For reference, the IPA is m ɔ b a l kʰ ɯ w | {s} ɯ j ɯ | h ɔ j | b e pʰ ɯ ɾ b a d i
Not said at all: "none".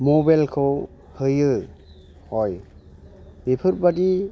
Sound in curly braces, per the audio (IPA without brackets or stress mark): h